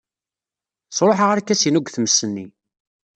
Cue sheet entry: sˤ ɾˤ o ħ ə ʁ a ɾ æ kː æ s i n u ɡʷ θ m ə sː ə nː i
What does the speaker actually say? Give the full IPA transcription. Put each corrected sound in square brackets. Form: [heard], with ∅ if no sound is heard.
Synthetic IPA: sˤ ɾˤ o ħ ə ʁ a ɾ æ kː æ s i n u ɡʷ θ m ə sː ə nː i

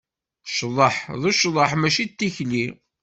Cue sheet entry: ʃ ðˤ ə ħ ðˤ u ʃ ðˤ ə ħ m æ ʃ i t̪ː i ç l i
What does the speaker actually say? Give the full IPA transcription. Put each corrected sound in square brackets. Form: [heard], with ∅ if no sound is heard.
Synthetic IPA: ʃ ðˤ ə ħ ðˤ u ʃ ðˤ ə ħ m æ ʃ i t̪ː i ç l i

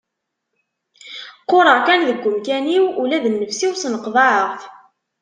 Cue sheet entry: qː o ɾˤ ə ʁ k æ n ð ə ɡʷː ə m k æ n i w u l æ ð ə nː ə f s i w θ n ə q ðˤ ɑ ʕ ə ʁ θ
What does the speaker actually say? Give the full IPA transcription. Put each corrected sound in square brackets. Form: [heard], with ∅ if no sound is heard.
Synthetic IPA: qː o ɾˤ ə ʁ k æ n ð ə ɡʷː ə m k æ n i w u l æ ð ə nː ə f s i w [s] n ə q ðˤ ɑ ʕ ə ʁ θ

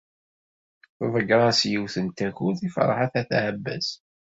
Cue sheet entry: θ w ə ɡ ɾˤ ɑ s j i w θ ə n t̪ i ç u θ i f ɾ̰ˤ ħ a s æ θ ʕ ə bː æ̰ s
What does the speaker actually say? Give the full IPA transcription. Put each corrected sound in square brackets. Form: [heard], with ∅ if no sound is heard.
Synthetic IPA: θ [v] ə ɡ ɾˤ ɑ s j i w θ ə n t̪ [æ] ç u θ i f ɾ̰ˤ ħ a [θ] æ θ ʕ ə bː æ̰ s

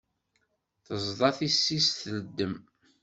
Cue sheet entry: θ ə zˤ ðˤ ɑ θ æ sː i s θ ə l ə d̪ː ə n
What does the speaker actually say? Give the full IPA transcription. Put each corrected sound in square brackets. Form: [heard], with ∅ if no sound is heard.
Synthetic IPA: θ ə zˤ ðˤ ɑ θ [i] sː i s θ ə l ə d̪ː ə [m]

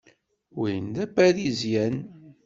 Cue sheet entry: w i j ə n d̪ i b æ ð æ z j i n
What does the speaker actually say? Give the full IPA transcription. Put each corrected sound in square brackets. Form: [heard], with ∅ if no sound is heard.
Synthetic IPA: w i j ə n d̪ [æ] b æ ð [i] z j [æ] n

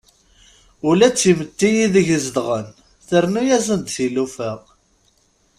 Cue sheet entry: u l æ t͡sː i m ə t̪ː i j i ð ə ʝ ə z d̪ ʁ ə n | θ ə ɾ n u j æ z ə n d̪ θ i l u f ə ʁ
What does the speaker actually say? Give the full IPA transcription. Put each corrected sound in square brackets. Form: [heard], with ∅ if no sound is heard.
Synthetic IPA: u l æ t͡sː i m ə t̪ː i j i ð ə ʝ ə z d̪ ʁ ə n | θ ə ɾ n u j æ z ə n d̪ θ i l u f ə ʁ

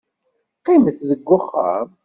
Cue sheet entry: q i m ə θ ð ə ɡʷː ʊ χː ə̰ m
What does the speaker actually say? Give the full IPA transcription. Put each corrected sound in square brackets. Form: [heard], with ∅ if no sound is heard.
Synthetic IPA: q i m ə θ ð ə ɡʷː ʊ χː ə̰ m

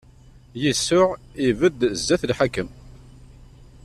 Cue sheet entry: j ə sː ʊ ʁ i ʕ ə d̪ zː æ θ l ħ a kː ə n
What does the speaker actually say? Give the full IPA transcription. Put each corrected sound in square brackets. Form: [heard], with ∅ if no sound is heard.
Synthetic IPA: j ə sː ʊ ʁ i [v] ə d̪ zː æ θ l ħ a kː ə [m]

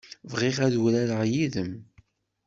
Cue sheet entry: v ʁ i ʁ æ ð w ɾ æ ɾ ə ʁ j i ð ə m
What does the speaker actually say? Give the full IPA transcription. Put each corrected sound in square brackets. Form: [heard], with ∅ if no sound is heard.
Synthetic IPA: v ʁ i ʁ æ ð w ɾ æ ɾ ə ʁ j i ð ə m

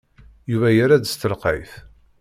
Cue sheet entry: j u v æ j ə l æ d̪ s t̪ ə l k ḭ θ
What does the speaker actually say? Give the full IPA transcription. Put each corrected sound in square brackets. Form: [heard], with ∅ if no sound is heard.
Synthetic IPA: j u v æ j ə [ɾ] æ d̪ s t̪ ə l [q] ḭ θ

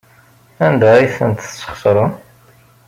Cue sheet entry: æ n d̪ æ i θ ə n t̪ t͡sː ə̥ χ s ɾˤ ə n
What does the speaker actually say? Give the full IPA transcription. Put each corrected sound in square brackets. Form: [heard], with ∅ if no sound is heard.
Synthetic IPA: æ n d̪ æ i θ ə n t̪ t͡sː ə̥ χ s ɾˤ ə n

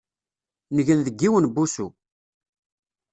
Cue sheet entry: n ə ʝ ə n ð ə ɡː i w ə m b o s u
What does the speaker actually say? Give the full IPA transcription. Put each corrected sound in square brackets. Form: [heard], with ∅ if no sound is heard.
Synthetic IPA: n ə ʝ ə n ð ə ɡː i w ə [n] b [u] s u

